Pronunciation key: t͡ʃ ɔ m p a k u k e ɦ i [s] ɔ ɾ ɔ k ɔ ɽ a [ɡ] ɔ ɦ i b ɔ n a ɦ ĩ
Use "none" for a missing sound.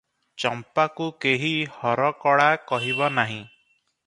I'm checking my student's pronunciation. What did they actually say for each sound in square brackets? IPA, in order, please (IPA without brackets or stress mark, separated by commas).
h, k